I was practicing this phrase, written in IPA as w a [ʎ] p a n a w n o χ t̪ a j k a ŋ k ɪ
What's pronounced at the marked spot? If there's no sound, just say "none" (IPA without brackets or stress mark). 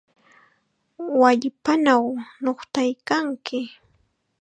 ʎ